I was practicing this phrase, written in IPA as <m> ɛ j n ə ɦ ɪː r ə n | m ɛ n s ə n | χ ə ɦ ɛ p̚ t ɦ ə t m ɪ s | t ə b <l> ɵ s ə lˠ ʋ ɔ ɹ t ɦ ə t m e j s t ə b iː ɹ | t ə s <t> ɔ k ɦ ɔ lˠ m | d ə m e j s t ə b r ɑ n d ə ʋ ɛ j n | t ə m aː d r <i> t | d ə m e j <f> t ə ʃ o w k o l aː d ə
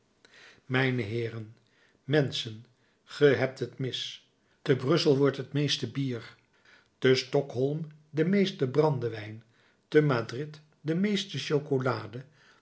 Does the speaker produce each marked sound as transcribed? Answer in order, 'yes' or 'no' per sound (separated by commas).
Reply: yes, no, yes, no, no